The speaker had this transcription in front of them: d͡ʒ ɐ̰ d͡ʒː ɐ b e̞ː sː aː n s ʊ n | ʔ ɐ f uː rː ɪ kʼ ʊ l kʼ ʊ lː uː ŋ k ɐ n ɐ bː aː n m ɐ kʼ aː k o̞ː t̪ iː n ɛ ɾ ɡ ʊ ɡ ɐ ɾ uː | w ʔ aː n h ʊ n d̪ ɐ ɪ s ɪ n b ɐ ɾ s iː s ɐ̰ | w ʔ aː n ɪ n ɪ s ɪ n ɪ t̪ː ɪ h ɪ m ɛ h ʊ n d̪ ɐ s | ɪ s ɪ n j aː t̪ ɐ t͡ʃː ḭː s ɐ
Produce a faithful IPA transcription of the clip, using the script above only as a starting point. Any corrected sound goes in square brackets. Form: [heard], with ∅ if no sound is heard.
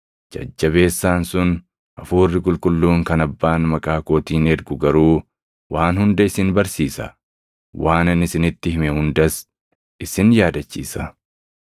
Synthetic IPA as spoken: d͡ʒ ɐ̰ d͡ʒː ɐ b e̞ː sː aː n s ʊ n | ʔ ɐ f uː rː ɪ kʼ ʊ l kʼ ʊ lː uː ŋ k ɐ n ɐ bː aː n m ɐ kʼ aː k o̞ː t̪ iː n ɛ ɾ ɡ ʊ ɡ ɐ ɾ uː | w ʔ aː n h ʊ n d̪ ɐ ɪ s ɪ n b ɐ ɾ s iː s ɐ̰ | w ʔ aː n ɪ n ɪ s ɪ n ɪ t̪ː ɪ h ɪ m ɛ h ʊ n d̪ ɐ s | ɪ s ɪ n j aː [d̪] ɐ t͡ʃː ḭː s ɐ